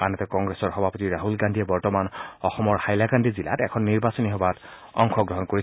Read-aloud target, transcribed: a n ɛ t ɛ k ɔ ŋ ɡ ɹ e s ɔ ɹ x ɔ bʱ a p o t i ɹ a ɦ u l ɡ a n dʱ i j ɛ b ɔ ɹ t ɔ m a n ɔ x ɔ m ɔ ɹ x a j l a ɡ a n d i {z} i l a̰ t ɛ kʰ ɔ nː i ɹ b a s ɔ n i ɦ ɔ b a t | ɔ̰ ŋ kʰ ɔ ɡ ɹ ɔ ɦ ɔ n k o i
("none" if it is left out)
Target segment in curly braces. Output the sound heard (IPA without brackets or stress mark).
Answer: z